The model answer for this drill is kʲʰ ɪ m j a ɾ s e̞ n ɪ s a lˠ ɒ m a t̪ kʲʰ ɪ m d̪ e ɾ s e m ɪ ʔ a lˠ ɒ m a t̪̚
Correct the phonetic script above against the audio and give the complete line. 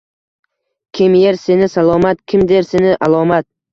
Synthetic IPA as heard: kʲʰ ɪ m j e ɾ s e̞ n ɪ s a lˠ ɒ m a t̪ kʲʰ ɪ m d̪ e ɾ s e n ɪ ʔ a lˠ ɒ m a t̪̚

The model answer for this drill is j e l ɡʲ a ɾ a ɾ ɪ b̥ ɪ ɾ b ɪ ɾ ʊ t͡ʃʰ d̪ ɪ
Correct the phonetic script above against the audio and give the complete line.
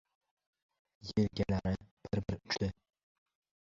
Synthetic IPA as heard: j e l ɡʲ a l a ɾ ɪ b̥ ɪ ɾ b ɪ ɾ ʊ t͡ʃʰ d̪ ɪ

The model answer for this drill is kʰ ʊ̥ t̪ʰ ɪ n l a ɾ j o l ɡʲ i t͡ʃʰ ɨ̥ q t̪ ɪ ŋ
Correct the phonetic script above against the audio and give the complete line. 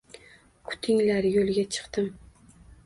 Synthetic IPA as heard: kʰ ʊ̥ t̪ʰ ɪ ŋ l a ɾ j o l ɡʲ a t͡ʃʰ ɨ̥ q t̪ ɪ m

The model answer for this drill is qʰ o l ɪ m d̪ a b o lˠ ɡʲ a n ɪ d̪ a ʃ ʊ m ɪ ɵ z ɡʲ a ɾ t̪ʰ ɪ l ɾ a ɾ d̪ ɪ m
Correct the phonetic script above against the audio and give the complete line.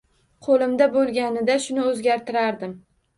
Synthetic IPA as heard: qʰ o l ɪ m d̪ a b o lˠ ɡʲ a n ɪ d̪ a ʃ ʊ n ɪ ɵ z ɡʲ a ɾ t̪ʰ ɪ ɾ a ɾ d̪ ɪ m

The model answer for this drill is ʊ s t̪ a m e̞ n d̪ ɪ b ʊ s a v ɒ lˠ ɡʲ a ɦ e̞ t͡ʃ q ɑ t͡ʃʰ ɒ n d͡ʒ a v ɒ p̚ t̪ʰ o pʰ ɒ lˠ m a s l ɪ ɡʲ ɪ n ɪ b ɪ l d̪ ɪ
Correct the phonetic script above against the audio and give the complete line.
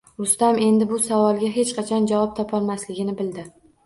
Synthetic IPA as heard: ʊ s t̪ a m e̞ n d̪ ɪ b ʊ s a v ɒ lˠ ɡʲ a ɦ e̞ t͡ʃ q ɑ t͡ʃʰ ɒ n d͡ʒ a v ɒ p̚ t̪ʰ ɒ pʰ ɒ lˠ m a s l ɪ ɡʲ ɪ n ɪ b ɪ l d̪ ɪ

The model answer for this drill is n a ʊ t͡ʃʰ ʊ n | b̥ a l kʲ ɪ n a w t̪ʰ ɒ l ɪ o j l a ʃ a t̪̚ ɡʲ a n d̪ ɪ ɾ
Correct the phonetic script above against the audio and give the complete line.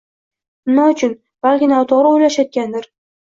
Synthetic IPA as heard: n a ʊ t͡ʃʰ ʊ n | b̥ a l kʲ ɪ n a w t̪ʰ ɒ ɾ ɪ o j l a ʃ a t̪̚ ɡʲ a n d̪ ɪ ɾ

